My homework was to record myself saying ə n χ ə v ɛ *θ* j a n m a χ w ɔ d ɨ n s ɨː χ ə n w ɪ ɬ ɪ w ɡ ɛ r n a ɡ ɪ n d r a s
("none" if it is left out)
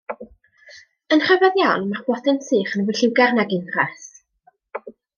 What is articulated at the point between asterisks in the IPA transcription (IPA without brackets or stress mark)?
ð